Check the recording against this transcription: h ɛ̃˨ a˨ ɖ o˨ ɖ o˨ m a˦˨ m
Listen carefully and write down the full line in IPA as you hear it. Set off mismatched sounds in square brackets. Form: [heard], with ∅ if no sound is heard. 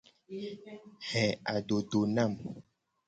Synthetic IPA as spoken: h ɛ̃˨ a˨ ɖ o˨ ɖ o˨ [n] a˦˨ m